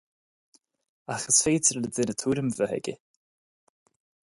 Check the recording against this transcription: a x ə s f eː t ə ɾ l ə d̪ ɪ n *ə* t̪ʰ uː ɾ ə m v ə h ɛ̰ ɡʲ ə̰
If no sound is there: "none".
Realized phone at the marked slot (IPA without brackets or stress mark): ə